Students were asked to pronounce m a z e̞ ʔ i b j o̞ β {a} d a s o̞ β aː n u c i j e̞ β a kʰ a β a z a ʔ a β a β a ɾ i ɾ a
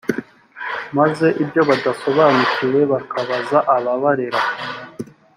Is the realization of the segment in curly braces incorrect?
no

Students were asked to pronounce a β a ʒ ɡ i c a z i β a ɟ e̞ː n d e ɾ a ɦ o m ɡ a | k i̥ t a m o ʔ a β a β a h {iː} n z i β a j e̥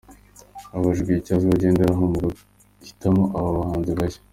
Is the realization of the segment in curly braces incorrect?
yes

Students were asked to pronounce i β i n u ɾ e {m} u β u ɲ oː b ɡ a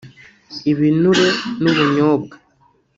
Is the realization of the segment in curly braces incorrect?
yes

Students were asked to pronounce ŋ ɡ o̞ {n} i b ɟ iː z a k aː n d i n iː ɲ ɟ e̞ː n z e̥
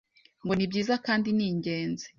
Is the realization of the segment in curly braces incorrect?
no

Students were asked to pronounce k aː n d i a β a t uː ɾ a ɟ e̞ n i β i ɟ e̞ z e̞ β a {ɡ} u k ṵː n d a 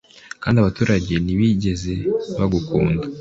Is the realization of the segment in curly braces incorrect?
no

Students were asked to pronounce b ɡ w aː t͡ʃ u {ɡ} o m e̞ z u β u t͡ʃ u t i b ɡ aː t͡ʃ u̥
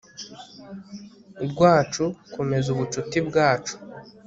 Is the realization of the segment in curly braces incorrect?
yes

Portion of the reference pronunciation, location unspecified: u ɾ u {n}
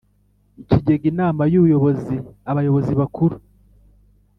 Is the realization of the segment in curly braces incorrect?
yes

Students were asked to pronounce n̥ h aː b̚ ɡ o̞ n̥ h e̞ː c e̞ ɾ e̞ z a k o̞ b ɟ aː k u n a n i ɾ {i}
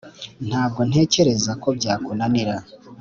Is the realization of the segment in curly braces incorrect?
yes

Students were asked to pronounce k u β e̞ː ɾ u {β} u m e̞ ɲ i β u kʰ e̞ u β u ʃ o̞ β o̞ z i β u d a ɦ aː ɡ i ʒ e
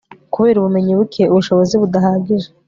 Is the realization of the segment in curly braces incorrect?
no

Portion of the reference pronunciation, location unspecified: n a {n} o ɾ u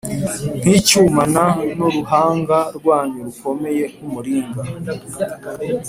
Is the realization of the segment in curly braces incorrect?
no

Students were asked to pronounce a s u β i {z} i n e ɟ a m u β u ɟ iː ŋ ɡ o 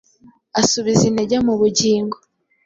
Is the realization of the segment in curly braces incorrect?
no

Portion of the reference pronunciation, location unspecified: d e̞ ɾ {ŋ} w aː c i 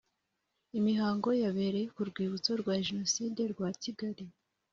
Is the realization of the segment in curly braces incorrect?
yes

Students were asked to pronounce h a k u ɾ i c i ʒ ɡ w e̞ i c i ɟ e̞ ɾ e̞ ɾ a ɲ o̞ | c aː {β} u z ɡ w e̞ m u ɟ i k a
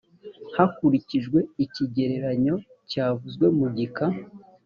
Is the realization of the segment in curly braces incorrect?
yes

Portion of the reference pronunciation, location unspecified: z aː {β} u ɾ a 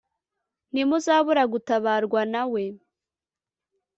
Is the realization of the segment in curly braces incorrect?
no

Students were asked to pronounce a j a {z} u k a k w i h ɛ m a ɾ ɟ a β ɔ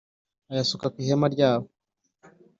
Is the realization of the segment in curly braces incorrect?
yes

